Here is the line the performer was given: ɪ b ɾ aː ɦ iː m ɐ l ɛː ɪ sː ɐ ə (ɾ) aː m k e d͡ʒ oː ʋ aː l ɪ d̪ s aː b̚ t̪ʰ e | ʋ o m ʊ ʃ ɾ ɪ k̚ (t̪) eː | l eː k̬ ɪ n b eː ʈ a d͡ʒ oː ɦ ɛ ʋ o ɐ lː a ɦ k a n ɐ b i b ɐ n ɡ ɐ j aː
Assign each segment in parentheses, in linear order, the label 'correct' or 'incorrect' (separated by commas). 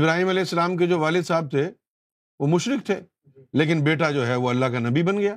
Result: incorrect, incorrect